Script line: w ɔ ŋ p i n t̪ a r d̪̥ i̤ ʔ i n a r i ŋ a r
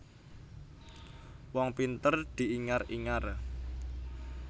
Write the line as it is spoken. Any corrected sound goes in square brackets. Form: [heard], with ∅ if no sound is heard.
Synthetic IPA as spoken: w ɔ ŋ p i n t̪ [ə] r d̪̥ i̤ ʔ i [ŋ] a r i ŋ a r